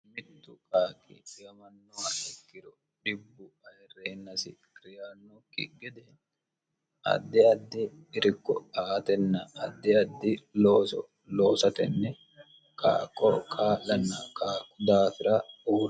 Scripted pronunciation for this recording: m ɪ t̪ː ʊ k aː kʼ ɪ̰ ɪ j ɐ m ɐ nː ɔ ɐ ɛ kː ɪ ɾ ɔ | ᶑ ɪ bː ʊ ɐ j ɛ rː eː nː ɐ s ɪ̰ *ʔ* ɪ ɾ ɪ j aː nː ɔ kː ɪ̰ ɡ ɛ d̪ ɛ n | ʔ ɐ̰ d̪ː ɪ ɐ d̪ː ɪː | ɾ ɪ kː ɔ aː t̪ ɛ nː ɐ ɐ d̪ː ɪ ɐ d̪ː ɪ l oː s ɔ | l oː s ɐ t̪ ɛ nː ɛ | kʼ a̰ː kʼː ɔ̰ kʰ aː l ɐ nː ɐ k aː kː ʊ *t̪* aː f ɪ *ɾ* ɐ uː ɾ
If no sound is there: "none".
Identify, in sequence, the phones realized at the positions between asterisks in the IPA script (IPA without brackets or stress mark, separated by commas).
k, d̪, ɾ